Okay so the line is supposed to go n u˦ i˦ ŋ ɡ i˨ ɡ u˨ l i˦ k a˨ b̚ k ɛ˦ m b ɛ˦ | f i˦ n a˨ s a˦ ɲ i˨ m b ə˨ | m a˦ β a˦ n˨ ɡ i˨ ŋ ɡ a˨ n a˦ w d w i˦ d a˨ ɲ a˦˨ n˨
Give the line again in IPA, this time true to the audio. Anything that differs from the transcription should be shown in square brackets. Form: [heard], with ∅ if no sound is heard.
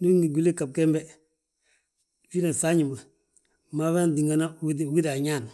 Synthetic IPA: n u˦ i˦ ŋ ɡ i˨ ɡ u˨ l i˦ k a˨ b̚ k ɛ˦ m b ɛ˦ | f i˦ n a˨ s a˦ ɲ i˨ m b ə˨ | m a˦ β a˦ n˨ [d] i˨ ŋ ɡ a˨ n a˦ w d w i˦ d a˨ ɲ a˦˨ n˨